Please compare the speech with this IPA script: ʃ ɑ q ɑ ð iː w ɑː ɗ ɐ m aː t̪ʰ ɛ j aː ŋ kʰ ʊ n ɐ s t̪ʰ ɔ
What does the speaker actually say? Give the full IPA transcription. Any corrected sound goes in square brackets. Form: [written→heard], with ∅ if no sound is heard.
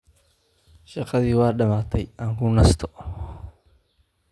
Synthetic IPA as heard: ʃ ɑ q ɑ ð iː w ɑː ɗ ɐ m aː t̪ʰ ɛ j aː ŋ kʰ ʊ n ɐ s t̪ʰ ɔ